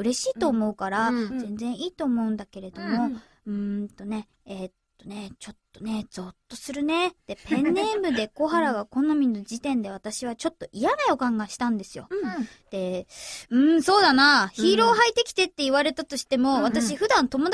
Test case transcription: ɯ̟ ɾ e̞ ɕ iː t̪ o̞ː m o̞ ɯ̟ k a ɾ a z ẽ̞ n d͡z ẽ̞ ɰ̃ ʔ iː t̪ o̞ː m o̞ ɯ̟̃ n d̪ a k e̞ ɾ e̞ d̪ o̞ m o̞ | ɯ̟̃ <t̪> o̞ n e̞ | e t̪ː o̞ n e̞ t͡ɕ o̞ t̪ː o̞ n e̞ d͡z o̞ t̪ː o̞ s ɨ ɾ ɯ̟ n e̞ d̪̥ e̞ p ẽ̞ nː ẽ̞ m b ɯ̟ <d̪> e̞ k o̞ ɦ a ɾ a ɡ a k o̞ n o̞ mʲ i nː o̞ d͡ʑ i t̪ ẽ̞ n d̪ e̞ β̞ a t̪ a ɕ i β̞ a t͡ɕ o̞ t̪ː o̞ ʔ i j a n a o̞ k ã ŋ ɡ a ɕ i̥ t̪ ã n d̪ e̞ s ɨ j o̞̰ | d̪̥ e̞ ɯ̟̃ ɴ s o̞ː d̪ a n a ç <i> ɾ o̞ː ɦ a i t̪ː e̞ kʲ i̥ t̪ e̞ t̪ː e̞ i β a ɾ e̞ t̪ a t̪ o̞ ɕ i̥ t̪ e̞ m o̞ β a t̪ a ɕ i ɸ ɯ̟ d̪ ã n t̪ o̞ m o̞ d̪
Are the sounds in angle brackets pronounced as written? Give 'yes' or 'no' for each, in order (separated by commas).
yes, yes, no